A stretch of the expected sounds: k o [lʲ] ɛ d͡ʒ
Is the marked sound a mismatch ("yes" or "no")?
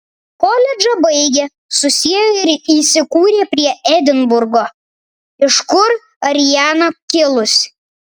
no